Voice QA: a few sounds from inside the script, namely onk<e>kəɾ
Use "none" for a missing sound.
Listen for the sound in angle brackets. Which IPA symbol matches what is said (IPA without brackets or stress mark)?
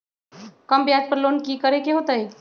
i